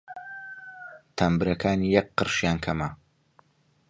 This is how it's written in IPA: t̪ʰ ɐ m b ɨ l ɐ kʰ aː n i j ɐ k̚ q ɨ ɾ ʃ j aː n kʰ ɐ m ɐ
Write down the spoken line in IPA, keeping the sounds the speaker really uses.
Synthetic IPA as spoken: t̪ʰ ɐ m b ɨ ɾ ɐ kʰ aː n i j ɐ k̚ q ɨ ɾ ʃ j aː n kʰ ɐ m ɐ